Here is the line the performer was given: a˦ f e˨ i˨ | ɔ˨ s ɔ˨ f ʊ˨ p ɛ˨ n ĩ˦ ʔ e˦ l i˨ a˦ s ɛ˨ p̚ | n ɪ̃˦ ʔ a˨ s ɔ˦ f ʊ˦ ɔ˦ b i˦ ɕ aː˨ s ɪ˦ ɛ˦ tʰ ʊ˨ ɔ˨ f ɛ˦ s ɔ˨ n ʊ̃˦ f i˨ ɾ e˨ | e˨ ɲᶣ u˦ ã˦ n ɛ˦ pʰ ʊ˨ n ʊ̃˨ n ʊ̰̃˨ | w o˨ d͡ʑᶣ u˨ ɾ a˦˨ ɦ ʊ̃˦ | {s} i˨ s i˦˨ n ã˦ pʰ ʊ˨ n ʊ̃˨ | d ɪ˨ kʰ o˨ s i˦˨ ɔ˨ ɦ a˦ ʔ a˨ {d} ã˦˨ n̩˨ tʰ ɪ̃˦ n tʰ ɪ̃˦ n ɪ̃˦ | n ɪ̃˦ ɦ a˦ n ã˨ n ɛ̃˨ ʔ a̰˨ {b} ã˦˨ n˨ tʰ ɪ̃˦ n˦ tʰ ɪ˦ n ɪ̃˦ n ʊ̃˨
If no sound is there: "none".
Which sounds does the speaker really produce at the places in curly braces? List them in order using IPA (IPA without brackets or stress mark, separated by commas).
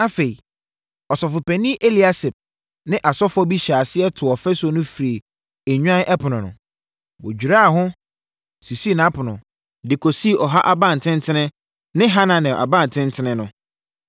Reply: s, b, b